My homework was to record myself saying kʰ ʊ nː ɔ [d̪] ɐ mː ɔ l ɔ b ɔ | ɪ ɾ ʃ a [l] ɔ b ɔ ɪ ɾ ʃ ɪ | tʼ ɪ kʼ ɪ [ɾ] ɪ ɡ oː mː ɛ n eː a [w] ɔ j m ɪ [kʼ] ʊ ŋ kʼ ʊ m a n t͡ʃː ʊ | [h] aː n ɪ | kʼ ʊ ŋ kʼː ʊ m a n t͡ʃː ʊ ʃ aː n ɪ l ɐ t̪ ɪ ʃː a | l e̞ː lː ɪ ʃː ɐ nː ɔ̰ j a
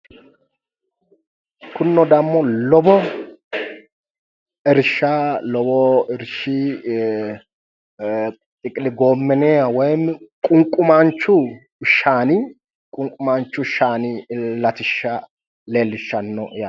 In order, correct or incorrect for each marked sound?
correct, correct, incorrect: l, correct, correct, incorrect: ʃ

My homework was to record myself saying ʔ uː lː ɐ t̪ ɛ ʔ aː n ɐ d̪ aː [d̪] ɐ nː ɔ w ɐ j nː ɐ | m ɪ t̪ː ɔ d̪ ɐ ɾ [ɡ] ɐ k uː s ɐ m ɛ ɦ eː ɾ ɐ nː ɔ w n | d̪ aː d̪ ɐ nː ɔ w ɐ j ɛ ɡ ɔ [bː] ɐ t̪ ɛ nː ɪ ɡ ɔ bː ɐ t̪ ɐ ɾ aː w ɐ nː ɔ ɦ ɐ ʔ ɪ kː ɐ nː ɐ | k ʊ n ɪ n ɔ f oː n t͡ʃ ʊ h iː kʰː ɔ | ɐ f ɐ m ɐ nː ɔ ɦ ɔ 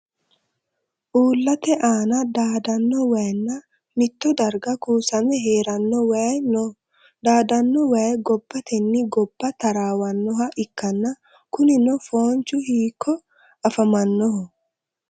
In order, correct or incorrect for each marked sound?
correct, correct, correct

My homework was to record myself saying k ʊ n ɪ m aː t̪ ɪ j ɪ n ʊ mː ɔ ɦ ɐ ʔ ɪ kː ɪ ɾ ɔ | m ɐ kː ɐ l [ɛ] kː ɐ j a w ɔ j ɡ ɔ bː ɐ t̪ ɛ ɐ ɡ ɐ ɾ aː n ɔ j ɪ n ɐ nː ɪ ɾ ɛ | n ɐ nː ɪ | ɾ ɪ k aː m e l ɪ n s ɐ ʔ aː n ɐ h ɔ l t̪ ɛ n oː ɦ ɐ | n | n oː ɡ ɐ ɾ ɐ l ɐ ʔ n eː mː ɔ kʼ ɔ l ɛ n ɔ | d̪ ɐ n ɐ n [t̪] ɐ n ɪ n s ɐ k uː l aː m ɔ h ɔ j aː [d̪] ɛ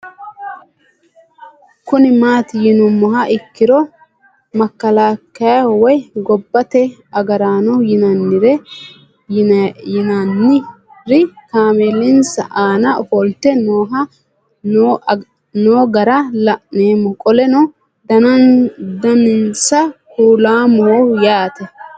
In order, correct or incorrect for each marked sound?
incorrect: a, incorrect: d̪, incorrect: t̪

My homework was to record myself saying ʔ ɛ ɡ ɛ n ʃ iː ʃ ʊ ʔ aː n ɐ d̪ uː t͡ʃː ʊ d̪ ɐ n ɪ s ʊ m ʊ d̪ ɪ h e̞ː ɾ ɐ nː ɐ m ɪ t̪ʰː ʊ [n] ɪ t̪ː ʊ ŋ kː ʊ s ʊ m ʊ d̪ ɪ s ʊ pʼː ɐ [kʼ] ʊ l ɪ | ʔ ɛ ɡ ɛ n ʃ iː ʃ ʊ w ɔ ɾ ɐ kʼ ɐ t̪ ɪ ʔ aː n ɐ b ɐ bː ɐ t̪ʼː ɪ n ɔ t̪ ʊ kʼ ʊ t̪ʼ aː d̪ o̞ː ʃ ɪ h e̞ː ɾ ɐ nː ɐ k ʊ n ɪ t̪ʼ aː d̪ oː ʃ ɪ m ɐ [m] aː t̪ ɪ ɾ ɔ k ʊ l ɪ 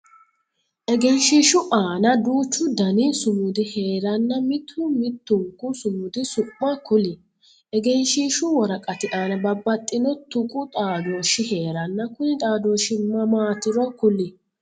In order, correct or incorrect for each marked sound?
incorrect: m, incorrect: k, correct

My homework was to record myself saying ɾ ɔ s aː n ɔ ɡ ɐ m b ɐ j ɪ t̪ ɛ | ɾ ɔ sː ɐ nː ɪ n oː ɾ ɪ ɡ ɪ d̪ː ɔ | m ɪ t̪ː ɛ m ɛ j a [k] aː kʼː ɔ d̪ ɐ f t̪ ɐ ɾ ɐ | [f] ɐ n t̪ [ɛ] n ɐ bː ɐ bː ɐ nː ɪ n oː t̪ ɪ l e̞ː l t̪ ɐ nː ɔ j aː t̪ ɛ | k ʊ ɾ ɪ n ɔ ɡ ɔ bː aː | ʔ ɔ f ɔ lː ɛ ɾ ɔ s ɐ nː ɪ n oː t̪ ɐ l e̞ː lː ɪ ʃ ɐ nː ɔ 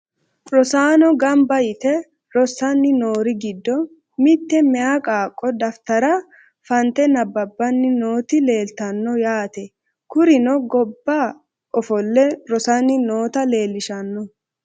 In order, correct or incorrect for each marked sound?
incorrect: kʼ, correct, correct

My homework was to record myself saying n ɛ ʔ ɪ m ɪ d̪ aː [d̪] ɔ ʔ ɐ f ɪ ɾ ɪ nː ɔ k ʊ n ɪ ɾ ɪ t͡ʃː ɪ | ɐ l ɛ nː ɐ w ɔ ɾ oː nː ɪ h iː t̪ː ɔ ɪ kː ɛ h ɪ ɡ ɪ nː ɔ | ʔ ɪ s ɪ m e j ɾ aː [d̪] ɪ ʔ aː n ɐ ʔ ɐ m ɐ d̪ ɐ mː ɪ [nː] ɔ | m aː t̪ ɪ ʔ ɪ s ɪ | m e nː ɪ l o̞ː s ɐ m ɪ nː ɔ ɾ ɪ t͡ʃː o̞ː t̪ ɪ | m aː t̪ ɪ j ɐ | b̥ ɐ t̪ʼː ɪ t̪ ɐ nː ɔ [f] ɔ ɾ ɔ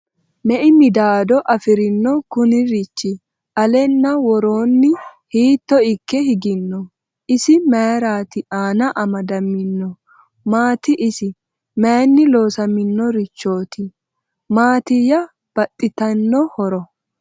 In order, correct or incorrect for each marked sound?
correct, incorrect: t̪, correct, incorrect: h

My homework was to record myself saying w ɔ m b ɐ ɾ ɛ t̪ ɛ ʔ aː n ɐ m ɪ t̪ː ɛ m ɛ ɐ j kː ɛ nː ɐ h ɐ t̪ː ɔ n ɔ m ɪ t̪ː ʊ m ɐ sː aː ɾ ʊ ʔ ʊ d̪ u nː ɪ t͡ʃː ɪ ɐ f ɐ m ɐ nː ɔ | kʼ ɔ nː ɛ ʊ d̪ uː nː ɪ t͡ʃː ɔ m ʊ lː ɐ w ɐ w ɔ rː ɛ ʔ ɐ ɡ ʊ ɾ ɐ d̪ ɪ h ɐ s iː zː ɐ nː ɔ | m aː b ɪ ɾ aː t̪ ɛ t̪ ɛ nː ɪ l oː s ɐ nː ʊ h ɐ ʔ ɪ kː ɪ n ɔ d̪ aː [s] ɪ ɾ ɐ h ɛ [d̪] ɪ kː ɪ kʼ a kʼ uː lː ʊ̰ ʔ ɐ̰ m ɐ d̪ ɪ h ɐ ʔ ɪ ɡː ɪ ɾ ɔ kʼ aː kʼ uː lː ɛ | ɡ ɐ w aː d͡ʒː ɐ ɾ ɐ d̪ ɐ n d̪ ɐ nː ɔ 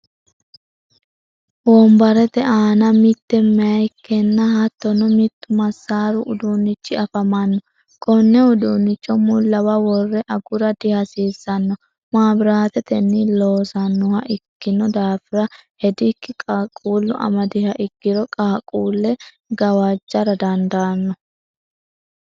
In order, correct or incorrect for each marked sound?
incorrect: f, correct

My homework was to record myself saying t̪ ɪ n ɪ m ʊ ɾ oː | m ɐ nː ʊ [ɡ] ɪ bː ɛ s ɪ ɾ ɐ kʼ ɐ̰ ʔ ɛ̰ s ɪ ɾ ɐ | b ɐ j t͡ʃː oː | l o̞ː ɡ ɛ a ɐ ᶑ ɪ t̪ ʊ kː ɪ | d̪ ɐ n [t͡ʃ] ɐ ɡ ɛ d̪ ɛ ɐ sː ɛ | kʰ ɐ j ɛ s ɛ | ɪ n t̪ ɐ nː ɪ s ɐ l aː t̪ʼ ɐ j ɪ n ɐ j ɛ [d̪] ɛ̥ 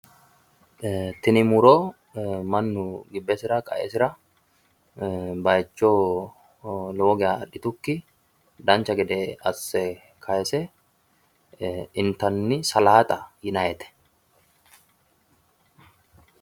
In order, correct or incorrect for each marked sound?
correct, correct, incorrect: t̪

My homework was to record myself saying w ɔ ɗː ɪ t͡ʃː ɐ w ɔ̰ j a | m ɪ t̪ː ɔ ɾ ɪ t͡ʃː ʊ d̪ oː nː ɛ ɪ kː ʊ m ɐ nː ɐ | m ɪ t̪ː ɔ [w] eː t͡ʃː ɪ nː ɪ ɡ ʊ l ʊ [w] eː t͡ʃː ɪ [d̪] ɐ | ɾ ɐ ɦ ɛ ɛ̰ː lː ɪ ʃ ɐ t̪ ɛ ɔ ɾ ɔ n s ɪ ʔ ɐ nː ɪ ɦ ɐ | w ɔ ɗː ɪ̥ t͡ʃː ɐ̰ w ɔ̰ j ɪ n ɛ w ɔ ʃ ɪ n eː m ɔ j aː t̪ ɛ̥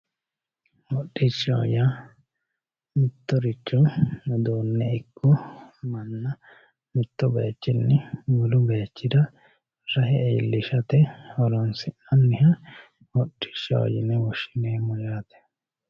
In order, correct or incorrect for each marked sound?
incorrect: b, incorrect: b, correct

